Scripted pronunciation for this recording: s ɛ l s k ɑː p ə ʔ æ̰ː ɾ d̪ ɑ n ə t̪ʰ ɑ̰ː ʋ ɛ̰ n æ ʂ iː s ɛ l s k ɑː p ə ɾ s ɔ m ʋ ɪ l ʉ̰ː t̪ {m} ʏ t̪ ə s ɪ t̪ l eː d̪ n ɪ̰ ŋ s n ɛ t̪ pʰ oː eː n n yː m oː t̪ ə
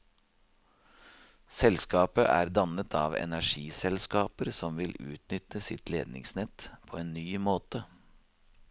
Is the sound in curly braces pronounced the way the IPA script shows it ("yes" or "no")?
no